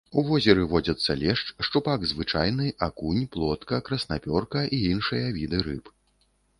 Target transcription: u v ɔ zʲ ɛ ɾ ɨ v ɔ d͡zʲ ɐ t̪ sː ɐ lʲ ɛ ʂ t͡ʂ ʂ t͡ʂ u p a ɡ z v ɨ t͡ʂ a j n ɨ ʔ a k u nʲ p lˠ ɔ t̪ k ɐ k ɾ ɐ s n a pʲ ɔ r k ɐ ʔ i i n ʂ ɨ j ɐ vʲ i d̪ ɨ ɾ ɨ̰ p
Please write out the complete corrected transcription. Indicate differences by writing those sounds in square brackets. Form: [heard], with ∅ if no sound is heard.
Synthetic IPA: u v ɔ zʲ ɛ ɾ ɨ v ɔ d͡zʲ ɐ t̪ sː ɐ lʲ ɛ ʂ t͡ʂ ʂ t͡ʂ u p a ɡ z v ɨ t͡ʂ a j n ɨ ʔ a k u nʲ p lˠ ɔ t̪ k ɐ k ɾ ɐ s n a pʲ ɔ r k ɐ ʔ i i n ʂ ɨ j ɐ vʲ i d̪ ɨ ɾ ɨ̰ p